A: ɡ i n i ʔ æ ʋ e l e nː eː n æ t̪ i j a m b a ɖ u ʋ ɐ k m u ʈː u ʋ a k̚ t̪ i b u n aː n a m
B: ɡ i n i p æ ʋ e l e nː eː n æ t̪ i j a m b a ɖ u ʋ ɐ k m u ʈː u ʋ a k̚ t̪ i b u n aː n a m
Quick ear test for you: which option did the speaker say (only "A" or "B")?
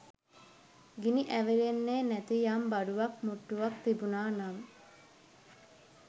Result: A